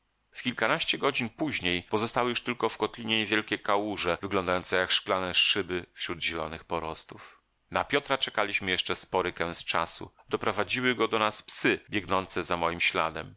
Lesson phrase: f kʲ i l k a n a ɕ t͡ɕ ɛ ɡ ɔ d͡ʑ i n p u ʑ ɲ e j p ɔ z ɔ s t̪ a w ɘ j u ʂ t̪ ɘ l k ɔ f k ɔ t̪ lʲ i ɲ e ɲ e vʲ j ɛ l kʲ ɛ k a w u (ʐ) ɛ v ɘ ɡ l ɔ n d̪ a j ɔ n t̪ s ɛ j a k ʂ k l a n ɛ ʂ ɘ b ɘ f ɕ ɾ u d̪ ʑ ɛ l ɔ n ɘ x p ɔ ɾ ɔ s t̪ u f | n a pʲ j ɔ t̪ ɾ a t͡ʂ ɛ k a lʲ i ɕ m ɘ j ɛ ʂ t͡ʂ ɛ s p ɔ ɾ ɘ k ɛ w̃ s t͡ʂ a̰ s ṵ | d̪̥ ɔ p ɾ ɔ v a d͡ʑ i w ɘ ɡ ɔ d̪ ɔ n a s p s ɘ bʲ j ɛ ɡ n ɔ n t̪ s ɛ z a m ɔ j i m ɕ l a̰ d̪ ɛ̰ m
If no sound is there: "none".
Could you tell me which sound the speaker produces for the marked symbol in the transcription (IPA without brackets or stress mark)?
ʐ